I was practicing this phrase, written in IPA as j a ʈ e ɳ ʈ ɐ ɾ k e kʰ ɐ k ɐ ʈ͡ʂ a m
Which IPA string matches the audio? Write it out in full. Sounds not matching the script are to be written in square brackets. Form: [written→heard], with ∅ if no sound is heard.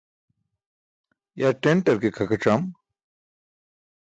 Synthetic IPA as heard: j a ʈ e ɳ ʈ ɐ ɾ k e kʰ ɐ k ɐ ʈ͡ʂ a m